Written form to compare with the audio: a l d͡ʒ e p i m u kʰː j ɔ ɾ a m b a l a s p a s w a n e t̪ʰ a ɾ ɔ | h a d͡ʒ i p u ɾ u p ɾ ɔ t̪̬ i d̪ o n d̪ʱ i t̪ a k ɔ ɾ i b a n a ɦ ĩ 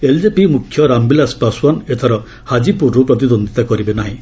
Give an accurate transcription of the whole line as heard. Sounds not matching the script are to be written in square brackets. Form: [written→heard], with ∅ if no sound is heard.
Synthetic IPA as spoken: [a→e] l d͡ʒ e p i m u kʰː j ɔ ɾ a m b [a→i] l a s p a s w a n e t̪ʰ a ɾ ɔ | h a d͡ʒ i p u ɾ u p ɾ ɔ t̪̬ i d̪ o n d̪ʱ i t̪ a k ɔ ɾ i b [a→e] n a ɦ ĩ